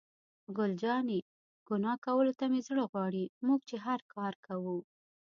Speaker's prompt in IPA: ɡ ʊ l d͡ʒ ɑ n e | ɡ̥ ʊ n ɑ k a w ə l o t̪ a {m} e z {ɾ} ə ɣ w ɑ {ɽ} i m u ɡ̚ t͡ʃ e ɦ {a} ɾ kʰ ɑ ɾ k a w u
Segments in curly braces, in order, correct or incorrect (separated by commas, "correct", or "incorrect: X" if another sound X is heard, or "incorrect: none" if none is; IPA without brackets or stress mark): correct, incorrect: ɽ, correct, correct